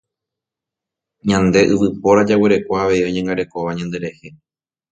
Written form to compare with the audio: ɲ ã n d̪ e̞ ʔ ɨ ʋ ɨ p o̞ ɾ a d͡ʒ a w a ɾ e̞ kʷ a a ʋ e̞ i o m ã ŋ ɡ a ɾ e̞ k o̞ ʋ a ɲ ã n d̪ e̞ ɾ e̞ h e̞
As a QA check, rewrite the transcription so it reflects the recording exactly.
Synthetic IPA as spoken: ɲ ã n d̪ e̞ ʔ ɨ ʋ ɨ p o̞ ɾ a d͡ʒ a w e ɾ e̞ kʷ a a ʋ e̞ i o ɲ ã ŋ ɡ a ɾ e̞ k o̞ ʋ a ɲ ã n d̪ e̞ ɾ e̞ h e̞